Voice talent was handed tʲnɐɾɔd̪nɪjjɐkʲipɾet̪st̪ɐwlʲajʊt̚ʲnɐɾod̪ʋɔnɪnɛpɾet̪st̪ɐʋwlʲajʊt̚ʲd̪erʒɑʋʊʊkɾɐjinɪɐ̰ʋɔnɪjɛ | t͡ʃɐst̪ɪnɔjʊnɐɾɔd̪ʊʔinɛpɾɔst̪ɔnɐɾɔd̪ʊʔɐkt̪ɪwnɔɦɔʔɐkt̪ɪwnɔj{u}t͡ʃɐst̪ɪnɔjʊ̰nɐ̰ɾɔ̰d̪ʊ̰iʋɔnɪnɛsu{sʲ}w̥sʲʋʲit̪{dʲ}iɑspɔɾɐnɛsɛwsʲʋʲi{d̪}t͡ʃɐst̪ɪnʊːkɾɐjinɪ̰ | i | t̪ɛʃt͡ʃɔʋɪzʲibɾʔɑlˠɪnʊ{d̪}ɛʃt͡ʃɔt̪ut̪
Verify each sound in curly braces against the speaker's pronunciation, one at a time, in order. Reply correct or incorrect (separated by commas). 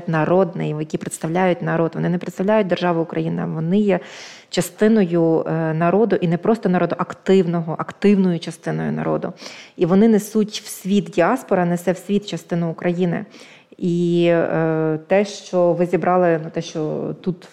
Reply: incorrect, incorrect, correct, incorrect, incorrect